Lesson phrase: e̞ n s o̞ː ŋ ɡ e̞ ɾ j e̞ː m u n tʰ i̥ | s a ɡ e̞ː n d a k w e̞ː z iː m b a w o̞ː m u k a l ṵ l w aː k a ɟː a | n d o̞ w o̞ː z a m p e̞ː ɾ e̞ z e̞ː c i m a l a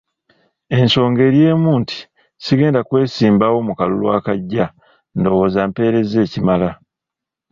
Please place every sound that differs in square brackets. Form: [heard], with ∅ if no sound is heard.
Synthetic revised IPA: e̞ n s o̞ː ŋ ɡ e̞ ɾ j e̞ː m [uː] n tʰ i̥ | s [i] ɡ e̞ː n d a k w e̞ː [s] iː m b a w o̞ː m u k a l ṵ l w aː k a ɟː a | n d o̞ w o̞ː z a m p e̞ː ɾ e̞ z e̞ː c i m a l a